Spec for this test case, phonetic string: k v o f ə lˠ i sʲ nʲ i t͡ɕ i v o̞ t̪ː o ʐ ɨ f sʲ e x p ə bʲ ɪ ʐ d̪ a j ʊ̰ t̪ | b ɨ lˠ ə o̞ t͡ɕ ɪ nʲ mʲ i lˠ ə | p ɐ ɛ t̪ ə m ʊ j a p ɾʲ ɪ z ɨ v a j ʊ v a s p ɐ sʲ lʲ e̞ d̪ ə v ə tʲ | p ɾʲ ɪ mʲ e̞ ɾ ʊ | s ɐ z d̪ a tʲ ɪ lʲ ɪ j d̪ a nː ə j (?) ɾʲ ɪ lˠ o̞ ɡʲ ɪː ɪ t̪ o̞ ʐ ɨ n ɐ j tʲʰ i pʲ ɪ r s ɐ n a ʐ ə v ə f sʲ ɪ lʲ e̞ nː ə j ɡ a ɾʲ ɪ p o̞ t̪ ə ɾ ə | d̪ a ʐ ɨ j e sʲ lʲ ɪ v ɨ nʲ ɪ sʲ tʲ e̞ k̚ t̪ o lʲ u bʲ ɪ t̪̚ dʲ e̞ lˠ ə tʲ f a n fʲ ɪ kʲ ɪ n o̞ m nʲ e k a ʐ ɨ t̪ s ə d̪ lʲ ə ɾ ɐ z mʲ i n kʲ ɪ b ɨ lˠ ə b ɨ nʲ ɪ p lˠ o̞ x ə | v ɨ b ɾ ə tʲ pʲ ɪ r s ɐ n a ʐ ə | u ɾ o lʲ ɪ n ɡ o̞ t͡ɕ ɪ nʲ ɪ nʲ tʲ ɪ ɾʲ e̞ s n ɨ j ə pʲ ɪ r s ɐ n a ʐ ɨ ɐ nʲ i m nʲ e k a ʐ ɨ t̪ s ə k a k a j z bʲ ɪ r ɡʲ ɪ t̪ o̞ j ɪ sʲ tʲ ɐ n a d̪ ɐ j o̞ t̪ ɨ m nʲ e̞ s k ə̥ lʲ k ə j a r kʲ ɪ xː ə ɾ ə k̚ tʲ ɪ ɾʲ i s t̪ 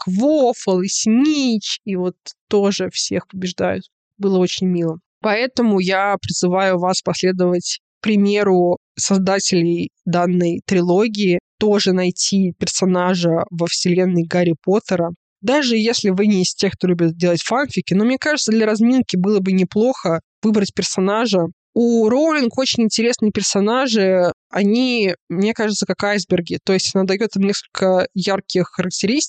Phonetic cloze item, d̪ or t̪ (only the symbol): t̪